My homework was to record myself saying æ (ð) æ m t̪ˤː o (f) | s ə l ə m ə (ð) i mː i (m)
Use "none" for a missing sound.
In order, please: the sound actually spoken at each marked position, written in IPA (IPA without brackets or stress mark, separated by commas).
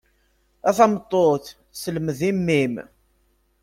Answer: θ, θ, ð, m